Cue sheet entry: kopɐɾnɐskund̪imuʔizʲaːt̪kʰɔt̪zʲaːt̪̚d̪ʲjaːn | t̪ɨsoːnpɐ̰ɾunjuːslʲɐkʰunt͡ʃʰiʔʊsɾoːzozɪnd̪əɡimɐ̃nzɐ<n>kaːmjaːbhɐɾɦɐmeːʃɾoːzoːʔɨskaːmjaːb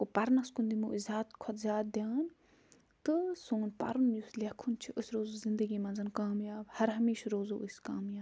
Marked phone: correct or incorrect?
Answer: correct